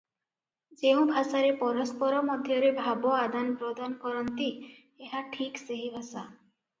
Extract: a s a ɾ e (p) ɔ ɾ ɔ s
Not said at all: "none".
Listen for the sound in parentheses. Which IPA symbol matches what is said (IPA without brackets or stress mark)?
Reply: p